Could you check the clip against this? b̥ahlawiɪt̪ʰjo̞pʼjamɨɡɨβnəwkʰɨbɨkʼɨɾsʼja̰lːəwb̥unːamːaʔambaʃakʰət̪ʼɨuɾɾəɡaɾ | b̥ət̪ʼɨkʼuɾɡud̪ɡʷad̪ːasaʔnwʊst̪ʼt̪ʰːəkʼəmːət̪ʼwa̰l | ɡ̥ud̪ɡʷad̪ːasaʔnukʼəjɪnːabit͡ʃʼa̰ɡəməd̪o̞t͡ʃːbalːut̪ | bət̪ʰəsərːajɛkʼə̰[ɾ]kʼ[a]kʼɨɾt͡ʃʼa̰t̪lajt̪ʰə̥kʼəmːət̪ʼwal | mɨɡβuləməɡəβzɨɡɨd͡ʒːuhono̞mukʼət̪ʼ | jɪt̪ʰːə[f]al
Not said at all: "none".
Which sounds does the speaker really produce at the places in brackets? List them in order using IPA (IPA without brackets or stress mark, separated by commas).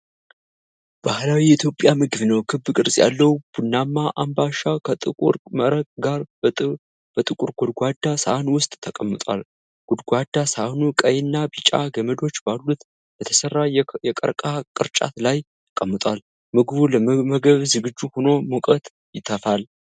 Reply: ɾ, a, f